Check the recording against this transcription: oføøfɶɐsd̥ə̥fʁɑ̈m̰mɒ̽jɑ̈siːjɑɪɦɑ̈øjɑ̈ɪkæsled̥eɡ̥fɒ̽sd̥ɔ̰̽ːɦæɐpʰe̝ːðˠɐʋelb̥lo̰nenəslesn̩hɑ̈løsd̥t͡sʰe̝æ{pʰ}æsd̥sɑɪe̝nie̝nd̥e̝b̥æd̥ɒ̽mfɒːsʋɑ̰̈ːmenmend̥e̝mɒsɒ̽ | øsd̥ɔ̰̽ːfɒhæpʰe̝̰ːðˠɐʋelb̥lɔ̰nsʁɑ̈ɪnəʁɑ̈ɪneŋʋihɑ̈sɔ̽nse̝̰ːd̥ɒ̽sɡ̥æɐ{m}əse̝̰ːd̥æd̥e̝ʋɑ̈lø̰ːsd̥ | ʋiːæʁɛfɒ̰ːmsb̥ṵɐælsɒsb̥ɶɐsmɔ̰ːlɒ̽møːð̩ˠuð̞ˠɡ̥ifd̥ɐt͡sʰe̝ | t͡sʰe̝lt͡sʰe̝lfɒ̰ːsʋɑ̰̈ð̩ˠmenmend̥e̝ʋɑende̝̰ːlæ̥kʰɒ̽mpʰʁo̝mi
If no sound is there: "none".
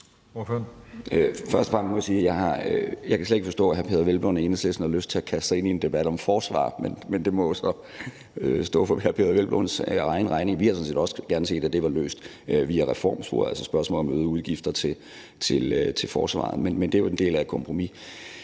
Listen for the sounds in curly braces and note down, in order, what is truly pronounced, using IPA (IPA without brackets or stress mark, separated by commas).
kʰ, n